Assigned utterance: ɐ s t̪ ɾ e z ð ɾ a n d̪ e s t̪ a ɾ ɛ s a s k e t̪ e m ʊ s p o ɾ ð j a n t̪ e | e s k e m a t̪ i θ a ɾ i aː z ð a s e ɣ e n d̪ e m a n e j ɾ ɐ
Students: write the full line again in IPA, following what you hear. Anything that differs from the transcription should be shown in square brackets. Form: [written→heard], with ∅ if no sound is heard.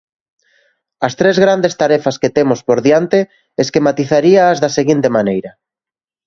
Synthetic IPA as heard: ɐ s t̪ ɾ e z [ð→ɣ] ɾ a n d̪ e s t̪ a ɾ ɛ [s→f] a s k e t̪ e m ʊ s p o ɾ ð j a n t̪ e | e s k e m a t̪ i θ a ɾ i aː z ð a s e ɣ [e→i] n [d̪→t̪] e m a n e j ɾ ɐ